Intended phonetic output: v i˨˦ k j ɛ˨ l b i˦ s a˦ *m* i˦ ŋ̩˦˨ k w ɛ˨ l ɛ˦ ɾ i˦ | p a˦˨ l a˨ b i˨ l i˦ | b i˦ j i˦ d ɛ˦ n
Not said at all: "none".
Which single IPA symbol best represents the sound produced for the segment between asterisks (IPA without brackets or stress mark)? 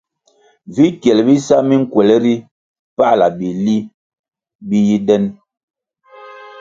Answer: m